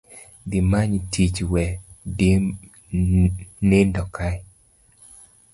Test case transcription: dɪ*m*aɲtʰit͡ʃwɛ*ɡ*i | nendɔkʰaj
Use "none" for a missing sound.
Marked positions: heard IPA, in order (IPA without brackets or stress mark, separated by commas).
m, d